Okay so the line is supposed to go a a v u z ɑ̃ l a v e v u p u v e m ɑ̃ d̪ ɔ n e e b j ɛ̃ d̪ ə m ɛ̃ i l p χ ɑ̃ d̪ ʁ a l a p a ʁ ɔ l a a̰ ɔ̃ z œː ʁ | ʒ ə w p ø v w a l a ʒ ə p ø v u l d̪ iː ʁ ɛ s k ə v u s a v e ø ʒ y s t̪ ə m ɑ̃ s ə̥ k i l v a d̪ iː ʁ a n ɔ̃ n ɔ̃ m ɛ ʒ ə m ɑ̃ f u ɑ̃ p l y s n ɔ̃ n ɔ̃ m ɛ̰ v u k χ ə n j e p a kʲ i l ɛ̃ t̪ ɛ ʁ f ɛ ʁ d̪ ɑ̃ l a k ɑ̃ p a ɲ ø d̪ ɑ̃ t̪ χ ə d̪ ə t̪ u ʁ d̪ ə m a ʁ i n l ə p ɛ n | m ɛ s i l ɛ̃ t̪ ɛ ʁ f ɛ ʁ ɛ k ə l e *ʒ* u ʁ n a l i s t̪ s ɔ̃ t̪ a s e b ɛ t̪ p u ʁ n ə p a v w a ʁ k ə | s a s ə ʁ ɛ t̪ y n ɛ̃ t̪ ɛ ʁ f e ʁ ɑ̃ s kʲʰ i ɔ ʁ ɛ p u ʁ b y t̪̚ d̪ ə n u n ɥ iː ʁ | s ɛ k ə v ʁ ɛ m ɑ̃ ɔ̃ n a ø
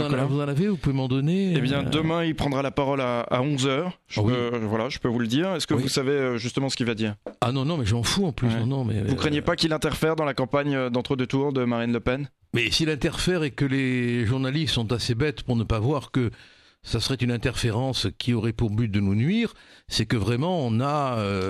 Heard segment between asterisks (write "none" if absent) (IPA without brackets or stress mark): ʒ